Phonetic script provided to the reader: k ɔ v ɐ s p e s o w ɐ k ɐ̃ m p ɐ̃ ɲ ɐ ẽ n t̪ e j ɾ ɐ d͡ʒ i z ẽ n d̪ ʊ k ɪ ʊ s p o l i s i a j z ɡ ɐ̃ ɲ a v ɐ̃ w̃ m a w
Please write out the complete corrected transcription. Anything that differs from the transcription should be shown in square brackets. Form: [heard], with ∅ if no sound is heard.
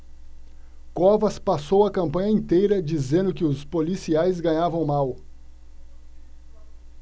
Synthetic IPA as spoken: k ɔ v ɐ s p [a] s o w ɐ k ɐ̃ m p ɐ̃ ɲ ɐ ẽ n t̪ e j ɾ ɐ d͡ʒ i z ẽ n d̪ ʊ k ɪ ʊ s p o l i s i a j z ɡ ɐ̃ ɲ a v ɐ̃ w̃ m a w